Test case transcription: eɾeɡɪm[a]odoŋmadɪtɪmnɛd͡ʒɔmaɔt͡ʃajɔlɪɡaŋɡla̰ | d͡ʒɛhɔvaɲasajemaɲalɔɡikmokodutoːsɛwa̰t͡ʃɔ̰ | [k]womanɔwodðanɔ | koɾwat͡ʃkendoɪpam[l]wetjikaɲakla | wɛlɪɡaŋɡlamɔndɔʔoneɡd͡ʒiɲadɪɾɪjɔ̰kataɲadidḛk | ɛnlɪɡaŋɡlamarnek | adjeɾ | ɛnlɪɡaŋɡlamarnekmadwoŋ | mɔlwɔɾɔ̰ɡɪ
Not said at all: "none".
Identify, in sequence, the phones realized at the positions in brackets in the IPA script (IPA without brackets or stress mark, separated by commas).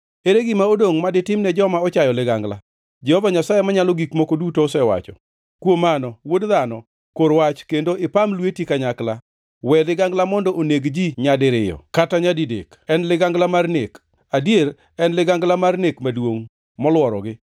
a, k, l